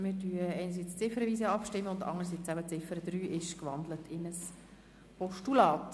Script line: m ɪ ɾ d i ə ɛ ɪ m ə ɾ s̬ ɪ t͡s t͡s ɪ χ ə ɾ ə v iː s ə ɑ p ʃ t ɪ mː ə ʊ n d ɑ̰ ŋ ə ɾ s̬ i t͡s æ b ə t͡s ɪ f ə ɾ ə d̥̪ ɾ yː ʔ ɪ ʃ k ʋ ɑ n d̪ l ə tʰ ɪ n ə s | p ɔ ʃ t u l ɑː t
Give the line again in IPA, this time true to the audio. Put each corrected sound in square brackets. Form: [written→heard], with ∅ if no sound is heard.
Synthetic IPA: m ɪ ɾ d [i→y] ə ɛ ɪ [m→n] ə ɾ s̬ [ɪ→i] t͡s t͡s ɪ [χ→f] ə ɾ ə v iː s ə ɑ p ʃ t ɪ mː ə ʊ n d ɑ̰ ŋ ə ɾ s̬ i t͡s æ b ə t͡s ɪ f ə ɾ ə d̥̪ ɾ yː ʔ ɪ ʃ k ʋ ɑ n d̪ l ə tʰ ɪ n ə s | p ɔ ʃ t u l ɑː t